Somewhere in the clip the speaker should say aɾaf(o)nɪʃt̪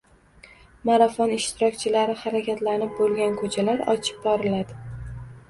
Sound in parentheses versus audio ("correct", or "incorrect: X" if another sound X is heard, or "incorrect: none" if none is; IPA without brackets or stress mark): incorrect: ɒ